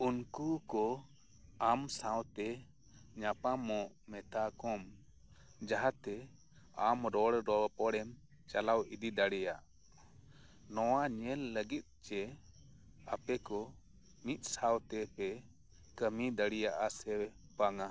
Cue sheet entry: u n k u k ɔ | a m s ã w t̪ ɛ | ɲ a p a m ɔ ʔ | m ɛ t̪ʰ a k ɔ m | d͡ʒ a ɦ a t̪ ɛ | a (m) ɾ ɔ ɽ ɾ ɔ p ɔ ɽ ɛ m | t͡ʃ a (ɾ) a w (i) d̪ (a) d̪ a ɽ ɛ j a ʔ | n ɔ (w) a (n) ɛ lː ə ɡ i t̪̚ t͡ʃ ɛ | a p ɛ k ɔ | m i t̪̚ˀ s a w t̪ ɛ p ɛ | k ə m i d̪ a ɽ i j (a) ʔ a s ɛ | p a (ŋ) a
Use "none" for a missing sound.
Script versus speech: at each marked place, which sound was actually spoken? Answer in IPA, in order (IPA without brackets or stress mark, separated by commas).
m, l, i, i, w, ɲ, a, ŋ